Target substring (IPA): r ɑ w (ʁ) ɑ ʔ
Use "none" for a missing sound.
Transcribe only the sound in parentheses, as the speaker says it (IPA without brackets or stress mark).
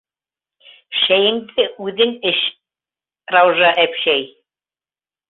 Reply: ʒ